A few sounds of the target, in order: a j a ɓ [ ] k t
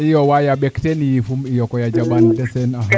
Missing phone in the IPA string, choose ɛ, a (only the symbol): ɛ